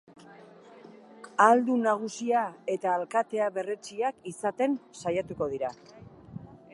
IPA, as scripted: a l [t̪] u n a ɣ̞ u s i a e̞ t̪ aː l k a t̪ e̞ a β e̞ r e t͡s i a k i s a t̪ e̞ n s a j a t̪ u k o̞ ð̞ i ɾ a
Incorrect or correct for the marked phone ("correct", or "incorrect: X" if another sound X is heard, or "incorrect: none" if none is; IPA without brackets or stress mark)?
incorrect: d̪